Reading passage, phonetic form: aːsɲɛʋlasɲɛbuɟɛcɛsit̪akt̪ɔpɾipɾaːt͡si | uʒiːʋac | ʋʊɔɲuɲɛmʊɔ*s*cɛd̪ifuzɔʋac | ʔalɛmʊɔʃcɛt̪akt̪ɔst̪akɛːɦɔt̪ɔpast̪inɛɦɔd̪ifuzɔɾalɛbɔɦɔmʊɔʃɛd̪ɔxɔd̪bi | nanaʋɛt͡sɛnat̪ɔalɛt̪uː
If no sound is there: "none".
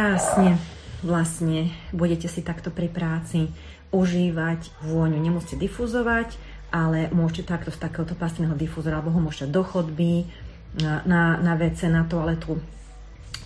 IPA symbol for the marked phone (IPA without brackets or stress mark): s